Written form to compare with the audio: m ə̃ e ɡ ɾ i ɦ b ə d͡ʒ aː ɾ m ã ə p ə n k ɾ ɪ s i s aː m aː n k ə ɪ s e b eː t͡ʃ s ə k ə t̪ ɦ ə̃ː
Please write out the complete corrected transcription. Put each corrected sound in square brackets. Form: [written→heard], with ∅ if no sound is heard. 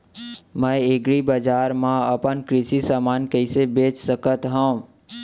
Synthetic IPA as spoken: m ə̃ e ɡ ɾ i [ɦ→∅] b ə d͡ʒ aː ɾ m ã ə p ə n k ɾ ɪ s i s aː m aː n k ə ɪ s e b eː t͡ʃ s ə k ə t̪ ɦ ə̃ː